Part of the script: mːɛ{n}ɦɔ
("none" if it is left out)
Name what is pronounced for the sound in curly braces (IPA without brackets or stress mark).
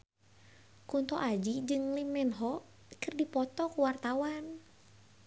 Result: n